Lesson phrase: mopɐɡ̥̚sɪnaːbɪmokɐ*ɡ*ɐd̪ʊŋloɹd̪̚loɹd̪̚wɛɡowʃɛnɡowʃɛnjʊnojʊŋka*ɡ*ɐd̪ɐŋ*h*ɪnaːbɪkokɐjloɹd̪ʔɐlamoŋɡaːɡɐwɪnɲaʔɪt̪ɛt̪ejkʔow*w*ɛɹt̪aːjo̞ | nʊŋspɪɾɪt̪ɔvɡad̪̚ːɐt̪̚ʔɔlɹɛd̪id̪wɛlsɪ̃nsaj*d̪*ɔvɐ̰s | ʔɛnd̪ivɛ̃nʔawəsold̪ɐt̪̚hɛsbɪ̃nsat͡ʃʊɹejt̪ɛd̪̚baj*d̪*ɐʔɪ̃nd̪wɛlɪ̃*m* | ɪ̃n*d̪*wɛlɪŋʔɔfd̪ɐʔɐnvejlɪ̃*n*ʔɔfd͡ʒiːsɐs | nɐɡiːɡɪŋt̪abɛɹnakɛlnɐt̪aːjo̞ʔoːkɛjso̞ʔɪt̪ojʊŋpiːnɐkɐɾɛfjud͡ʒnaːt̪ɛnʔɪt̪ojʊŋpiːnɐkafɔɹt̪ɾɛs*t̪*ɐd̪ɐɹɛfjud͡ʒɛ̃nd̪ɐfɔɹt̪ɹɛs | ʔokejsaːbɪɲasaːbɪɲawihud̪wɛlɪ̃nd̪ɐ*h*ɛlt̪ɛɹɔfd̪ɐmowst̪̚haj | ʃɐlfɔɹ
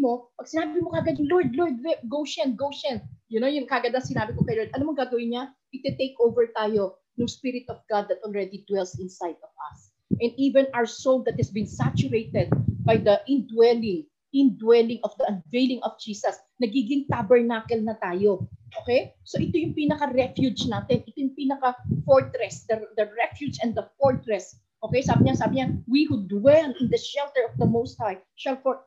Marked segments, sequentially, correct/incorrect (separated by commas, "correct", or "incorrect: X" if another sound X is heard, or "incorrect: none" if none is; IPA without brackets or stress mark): correct, correct, incorrect: s, incorrect: v, correct, correct, incorrect: ŋ, correct, incorrect: ŋ, incorrect: d̪, incorrect: ʃ